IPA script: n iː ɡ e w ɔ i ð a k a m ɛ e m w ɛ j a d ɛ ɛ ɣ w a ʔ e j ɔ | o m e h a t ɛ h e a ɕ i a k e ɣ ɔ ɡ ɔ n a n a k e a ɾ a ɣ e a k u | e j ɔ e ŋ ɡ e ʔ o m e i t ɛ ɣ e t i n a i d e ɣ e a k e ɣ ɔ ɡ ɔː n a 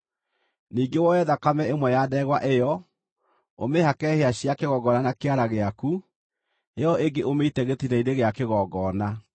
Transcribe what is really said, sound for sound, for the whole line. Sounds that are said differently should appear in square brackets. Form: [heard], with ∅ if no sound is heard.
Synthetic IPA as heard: n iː ɡ e w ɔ [ɛ] ð a k a m ɛ e m w ɛ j a d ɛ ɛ ɣ w a ʔ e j ɔ | o m e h a [k] ɛ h e a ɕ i a k e ɣ ɔ ɡ ɔ n a n a k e a ɾ a ɣ e a k u | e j ɔ e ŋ ɡ e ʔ o m e i t ɛ ɣ e t i n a i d e ɣ e a k e ɣ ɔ ɡ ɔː n a